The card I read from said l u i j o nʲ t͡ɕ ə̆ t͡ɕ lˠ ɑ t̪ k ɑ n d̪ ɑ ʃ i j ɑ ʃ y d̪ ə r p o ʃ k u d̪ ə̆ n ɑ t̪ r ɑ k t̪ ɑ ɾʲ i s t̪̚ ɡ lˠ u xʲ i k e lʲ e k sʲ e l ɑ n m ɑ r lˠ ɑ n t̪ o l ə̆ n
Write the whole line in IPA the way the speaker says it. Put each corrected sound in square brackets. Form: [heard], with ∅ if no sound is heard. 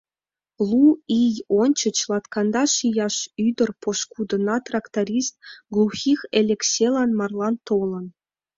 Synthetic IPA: l u i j o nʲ t͡ɕ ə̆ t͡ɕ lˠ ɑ t̪ k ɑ n d̪ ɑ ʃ i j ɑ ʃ y d̪ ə r p o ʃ k u d̪ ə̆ n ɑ t̪ r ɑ k t̪ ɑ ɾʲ i s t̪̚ ɡ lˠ u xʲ i [x] e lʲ e k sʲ e l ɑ n m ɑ r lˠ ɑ n t̪ o l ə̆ n